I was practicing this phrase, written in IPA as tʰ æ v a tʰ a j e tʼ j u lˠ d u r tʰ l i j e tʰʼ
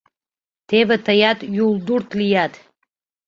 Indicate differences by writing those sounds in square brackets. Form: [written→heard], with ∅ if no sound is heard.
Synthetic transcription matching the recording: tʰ [æ→e] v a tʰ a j [e→a] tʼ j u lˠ d u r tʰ l i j [e→a] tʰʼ